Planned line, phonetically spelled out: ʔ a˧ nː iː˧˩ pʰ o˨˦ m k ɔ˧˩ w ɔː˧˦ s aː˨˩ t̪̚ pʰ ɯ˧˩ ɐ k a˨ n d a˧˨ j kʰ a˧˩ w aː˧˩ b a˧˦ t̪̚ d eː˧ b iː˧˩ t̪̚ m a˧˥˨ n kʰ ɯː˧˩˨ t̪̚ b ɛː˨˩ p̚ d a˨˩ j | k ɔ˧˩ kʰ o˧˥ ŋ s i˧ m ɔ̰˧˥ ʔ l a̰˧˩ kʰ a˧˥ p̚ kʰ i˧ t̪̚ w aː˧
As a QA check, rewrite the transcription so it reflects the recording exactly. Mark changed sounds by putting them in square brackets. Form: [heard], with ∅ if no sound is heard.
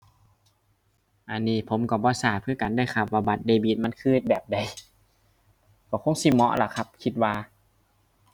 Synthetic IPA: ʔ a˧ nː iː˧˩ pʰ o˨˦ m k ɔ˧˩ [b] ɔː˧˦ s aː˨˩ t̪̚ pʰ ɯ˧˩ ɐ k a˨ n d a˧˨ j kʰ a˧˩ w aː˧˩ b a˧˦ t̪̚ d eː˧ b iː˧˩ t̪̚ m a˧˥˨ n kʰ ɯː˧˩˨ t̪̚ b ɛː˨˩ p̚ d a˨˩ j | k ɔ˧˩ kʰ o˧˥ ŋ s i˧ m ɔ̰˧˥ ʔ l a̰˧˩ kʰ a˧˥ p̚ kʰ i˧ t̪̚ w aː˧